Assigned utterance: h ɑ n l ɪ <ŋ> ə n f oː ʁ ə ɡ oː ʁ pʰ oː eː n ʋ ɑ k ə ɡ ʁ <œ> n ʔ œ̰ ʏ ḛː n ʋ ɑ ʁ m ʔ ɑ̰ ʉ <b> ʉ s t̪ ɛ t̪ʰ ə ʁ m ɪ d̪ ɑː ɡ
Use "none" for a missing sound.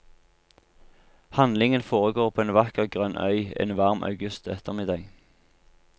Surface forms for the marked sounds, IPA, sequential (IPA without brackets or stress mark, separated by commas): ŋ, œ, ɡ